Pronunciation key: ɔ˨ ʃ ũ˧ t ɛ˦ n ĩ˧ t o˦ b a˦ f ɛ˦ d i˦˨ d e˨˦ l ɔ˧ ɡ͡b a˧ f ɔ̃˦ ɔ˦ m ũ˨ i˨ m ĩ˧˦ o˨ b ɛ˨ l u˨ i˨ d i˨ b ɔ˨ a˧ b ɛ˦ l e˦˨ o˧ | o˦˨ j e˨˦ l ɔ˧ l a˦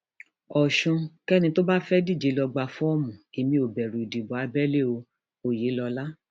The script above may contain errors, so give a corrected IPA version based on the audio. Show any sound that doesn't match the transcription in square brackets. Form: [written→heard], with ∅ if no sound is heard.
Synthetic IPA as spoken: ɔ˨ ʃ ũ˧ [t→k] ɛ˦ n ĩ˧ t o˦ b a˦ f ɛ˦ d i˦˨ [d→d͡ʒ] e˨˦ l ɔ˧ ɡ͡b a˧ f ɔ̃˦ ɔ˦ m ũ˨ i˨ m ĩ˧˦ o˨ b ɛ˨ [l→ɾ] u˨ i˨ d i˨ b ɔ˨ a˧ b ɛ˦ l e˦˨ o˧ | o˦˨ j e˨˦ l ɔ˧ l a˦